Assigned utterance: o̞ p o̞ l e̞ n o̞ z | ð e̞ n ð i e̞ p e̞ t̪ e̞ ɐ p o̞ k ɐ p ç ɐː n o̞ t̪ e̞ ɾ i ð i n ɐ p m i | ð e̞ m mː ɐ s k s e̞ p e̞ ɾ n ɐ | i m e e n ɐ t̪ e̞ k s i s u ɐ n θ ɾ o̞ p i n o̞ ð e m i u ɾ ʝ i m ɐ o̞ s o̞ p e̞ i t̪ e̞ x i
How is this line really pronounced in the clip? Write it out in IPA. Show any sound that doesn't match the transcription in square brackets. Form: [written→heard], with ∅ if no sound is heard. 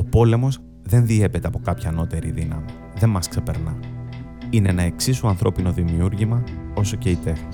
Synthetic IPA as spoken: o̞ p o̞ l e̞ [n→m] o̞ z | ð e̞ n ð i e̞ p e̞ t̪ e̞ ɐ p o̞ k ɐ p ç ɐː n o̞ t̪ e̞ ɾ i ð i n ɐ [p→∅] m i | ð e̞ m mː ɐ s k s e̞ p e̞ ɾ n ɐ | i [m→n] e e n ɐ [t̪→∅] e̞ k s i s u ɐ n θ ɾ o̞ p i n o̞ ð [e→i] m i u ɾ ʝ i m ɐ o̞ s o̞ [p→c] e̞ i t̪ e̞ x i